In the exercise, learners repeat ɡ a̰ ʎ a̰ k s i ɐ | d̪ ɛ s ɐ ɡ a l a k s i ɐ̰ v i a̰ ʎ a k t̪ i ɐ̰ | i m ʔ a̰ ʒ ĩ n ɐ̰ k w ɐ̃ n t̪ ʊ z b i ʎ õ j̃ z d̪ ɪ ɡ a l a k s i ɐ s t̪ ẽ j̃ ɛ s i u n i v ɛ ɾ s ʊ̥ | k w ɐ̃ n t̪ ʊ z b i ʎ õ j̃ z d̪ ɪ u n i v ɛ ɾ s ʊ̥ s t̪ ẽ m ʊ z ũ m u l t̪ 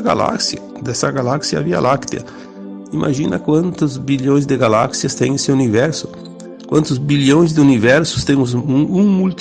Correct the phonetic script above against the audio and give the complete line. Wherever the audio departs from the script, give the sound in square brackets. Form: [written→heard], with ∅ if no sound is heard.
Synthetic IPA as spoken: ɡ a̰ [ʎ→l] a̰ k s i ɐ | d̪ ɛ s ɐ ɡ a l a k s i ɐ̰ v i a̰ [ʎ→l] a k t̪ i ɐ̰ | i m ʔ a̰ ʒ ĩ n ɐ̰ k w ɐ̃ n t̪ ʊ z b i ʎ õ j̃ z d̪ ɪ ɡ a l a k s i ɐ s t̪ ẽ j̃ [ɛ→e] s [i→ɪ] u n i v ɛ ɾ s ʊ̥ | k w ɐ̃ n t̪ ʊ z b i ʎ õ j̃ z d̪ ɪ u n i v ɛ ɾ s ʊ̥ s t̪ ẽ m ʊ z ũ m u l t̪